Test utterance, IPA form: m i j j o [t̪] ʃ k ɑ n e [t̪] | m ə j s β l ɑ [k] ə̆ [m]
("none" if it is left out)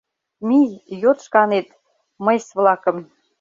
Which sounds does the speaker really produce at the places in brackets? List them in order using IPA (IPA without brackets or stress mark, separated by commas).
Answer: t̪, t̪, k, m